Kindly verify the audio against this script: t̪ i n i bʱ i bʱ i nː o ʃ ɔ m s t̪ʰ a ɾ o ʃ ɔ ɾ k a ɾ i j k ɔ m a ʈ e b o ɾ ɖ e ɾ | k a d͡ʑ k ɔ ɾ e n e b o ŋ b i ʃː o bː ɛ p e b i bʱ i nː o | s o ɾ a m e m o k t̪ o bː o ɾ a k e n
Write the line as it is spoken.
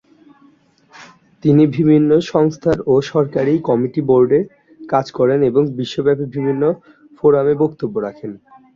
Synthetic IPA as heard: t̪ i n i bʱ i bʱ i nː o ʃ ɔ ŋ s t̪ʰ a ɾ o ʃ ɔ ɾ k a ɾ i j k ɔ m i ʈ i b o ɾ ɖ e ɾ | k a d͡ʑ k ɔ ɾ e n e b o ŋ b i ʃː o b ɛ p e b i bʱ i nː o | f o ɾ a m e b o k t̪ o bː o ɾ a kʰ e n